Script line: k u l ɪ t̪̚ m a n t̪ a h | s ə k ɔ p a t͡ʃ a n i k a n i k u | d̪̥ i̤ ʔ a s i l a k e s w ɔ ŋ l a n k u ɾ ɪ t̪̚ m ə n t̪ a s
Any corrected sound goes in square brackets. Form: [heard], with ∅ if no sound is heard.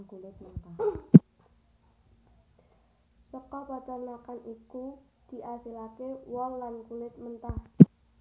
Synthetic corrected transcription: k u l ɪ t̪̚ m [ə] n t̪ a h | s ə k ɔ p a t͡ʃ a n [a] k a n i k u | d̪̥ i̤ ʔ a s i l a k e [∅] w ɔ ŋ l a n k u [l] ɪ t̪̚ m ə n t̪ a [h]